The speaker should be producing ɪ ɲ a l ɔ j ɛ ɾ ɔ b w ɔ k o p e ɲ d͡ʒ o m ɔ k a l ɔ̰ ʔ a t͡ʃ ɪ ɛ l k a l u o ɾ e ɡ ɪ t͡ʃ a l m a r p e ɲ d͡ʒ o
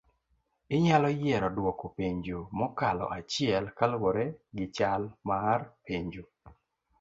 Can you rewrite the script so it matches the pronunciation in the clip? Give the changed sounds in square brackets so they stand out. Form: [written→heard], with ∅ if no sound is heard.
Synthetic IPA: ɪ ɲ a l ɔ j ɛ ɾ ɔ [b→d] w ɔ k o p e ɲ d͡ʒ o m ɔ k a l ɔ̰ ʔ a t͡ʃ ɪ ɛ l k a l [u→w] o ɾ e ɡ ɪ t͡ʃ a l m a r p e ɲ d͡ʒ o